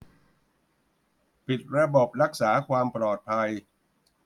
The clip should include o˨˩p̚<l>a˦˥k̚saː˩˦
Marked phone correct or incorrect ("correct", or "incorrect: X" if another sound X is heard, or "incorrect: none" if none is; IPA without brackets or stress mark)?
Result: incorrect: ɾ